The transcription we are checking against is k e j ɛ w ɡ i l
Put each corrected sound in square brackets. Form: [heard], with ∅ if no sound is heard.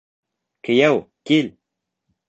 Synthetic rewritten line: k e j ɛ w [k] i l